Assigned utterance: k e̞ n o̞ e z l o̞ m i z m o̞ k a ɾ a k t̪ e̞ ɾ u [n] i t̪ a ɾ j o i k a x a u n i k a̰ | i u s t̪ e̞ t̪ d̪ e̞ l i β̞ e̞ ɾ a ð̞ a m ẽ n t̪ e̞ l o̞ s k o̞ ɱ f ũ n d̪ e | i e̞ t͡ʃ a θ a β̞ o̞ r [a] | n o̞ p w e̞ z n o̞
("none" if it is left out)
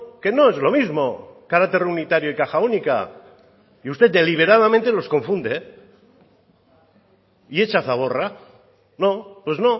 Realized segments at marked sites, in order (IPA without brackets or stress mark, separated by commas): n, a